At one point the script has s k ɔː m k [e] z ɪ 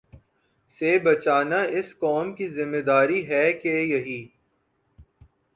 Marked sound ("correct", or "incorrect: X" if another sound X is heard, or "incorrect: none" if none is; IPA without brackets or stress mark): incorrect: i